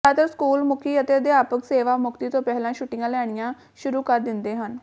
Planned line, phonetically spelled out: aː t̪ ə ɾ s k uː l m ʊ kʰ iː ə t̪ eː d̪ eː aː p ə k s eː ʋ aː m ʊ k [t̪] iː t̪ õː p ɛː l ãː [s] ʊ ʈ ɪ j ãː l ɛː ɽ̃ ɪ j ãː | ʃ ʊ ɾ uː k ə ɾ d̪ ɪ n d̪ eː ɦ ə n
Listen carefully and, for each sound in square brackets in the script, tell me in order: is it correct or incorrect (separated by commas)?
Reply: correct, incorrect